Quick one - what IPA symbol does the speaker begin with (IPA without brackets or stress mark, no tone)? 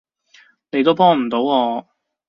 n